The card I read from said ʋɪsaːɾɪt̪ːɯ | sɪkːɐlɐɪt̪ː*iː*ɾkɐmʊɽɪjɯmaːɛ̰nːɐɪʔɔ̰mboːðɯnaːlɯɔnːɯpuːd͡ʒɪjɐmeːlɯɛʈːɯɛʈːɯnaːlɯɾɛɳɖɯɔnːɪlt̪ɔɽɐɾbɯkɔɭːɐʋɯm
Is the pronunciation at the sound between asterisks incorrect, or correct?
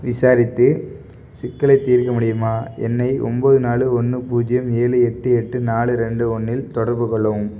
correct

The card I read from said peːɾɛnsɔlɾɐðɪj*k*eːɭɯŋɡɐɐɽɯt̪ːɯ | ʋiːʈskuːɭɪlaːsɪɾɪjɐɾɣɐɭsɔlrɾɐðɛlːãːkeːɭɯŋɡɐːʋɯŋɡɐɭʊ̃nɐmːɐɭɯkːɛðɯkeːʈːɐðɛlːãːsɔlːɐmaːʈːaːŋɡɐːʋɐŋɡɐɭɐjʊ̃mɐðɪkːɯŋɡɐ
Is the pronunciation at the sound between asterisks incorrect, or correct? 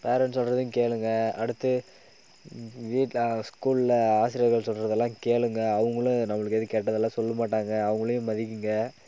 correct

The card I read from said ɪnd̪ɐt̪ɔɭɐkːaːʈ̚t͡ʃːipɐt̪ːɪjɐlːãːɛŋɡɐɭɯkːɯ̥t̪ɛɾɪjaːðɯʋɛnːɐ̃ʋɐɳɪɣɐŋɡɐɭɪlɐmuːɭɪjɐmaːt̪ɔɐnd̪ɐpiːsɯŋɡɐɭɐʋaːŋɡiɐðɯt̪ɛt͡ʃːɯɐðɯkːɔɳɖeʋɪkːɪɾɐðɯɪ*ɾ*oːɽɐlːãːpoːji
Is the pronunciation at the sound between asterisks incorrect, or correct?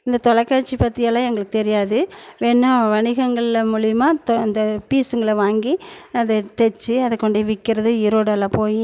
correct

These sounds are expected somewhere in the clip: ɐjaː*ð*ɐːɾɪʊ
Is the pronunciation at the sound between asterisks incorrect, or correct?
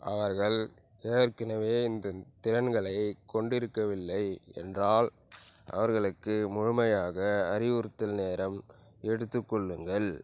incorrect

